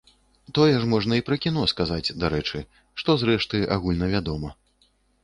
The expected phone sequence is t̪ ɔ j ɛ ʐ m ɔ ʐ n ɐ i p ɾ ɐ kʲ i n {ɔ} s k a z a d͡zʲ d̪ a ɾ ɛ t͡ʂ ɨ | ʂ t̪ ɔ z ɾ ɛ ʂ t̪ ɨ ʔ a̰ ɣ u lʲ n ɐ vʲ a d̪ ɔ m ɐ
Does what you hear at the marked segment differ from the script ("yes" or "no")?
no